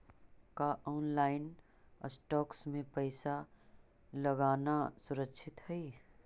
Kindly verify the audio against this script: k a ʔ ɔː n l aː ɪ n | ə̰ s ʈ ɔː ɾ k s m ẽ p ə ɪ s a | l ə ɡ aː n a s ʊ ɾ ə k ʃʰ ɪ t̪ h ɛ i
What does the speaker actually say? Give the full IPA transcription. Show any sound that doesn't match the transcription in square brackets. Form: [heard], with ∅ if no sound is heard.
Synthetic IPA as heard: k a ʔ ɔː n l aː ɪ n | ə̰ s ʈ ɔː [∅] k s m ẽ p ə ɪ s a | l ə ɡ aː n a s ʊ ɾ ə k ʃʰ ɪ t̪ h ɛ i